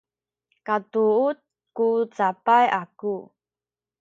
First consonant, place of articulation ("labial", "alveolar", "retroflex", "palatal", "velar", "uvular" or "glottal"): velar